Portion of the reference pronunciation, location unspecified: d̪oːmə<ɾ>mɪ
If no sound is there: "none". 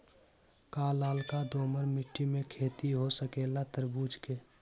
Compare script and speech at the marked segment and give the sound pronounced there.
ɾ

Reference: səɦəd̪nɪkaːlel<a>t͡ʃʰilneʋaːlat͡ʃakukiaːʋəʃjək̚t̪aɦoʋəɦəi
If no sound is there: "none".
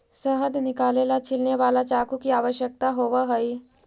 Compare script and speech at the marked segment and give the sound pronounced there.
a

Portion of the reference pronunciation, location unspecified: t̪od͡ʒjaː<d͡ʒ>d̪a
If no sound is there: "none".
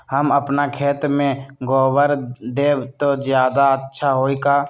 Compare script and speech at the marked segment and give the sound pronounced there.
none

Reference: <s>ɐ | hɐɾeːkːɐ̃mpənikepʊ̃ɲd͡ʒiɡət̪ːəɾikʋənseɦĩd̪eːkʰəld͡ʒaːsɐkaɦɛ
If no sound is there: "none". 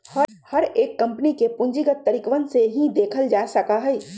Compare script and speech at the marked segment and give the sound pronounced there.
h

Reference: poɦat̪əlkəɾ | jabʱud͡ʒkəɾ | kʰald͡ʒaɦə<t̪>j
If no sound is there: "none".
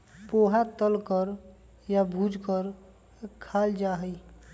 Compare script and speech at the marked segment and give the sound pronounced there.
none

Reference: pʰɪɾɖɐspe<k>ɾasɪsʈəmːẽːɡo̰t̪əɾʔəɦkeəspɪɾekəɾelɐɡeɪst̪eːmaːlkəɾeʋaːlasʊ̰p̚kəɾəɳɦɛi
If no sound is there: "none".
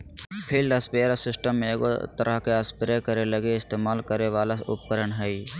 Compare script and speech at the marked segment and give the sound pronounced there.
none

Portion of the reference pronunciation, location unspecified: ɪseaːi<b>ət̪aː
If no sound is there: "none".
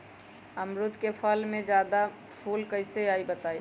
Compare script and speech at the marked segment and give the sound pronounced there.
b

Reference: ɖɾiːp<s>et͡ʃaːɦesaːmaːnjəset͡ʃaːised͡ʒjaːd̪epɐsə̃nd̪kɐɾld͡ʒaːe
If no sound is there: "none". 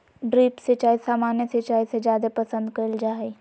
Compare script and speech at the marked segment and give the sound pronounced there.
s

